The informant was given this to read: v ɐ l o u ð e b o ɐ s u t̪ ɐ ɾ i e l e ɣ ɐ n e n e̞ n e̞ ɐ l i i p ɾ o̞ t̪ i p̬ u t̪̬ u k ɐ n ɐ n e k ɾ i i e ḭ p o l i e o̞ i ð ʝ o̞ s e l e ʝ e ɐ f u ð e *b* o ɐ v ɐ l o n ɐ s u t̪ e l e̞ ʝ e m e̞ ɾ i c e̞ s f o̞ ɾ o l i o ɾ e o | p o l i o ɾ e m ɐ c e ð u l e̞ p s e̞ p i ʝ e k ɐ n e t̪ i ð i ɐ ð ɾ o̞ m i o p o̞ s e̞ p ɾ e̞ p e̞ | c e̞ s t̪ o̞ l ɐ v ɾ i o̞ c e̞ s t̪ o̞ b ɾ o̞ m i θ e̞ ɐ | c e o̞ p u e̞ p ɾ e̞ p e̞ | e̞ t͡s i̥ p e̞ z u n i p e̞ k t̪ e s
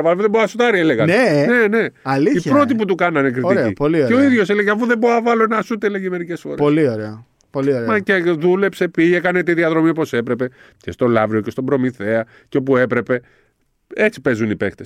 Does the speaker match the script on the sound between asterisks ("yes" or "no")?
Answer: yes